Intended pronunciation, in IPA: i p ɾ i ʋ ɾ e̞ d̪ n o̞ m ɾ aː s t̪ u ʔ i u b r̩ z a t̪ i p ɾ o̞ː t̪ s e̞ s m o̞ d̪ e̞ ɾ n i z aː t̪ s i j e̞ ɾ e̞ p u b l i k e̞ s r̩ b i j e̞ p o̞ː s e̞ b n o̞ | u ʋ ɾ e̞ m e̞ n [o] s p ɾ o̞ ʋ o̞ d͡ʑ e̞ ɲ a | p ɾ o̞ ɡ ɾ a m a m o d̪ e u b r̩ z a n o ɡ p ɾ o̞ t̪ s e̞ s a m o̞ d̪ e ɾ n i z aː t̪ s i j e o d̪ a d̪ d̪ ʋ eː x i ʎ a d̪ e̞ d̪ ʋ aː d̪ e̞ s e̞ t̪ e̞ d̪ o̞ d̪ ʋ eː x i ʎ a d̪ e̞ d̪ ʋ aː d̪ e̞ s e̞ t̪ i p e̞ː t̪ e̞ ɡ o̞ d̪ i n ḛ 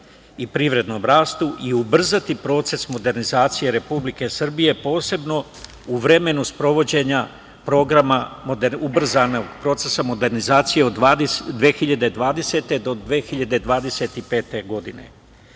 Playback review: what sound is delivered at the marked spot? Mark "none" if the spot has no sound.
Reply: u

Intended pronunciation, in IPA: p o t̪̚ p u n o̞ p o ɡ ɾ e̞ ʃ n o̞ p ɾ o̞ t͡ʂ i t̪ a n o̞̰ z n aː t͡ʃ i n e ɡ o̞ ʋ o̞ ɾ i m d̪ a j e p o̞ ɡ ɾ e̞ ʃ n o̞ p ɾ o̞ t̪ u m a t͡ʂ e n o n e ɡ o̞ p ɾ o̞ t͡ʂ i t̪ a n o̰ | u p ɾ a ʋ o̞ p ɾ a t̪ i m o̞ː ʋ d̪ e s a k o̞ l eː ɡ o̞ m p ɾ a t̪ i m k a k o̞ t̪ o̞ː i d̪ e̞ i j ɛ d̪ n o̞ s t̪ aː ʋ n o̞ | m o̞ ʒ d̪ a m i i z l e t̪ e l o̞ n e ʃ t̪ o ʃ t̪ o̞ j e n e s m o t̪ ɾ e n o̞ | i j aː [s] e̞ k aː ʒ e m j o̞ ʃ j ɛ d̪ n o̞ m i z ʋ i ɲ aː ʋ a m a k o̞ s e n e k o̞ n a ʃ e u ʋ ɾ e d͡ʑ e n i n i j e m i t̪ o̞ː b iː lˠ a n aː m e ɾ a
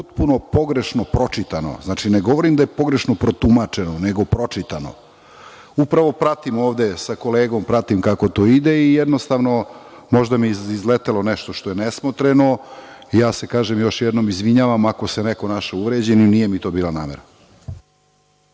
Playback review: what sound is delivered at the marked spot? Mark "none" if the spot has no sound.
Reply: s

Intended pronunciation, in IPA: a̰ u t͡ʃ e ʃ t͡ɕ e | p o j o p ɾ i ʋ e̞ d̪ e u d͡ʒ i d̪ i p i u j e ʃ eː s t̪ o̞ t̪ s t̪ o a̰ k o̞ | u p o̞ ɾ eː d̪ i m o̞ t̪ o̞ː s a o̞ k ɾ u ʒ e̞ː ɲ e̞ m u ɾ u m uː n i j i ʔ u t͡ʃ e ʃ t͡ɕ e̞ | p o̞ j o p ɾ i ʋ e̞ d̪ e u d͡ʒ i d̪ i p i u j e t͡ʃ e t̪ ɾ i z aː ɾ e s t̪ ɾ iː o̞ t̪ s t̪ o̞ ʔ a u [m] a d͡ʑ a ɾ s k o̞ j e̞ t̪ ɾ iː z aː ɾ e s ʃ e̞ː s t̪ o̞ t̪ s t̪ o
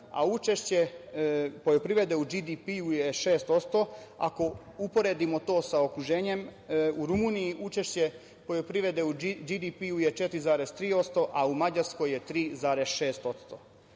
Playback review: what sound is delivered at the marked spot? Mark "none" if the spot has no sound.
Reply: m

